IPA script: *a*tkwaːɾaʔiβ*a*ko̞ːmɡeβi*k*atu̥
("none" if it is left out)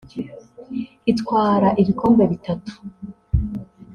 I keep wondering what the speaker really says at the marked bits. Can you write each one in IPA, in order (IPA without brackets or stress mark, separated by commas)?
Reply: i, i, t